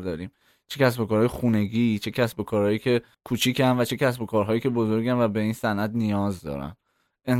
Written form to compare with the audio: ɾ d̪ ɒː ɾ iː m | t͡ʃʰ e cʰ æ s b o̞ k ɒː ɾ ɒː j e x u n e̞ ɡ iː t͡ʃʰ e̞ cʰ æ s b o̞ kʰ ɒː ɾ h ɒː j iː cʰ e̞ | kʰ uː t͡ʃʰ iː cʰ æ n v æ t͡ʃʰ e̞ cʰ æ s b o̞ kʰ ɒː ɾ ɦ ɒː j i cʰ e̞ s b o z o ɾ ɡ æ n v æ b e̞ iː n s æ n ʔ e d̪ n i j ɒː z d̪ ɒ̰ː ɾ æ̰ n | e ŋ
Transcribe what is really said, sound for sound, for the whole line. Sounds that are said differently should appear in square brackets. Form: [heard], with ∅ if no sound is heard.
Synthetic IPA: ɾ d̪ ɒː ɾ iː m | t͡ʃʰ e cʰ æ s b o̞ k ɒː ɾ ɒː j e x u n e̞ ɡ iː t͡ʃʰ e̞ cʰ æ s b o̞ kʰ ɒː ɾ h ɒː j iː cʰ e̞ | kʰ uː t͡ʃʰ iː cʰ æ n v æ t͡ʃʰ e̞ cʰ æ s b o̞ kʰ ɒː ɾ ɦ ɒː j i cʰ e̞ [∅] b o z o ɾ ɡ æ n v æ b e̞ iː n s æ n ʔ [æ] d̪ n i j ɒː z d̪ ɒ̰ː ɾ æ̰ n | e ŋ